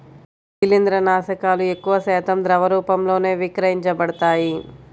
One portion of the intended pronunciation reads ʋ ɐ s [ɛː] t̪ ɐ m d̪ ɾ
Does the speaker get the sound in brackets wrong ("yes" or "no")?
no